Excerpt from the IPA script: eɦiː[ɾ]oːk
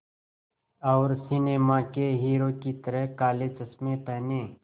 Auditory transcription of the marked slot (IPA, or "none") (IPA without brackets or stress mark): ɾ